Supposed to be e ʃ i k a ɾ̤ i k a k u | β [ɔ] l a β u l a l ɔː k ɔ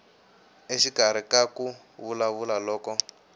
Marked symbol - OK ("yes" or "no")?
no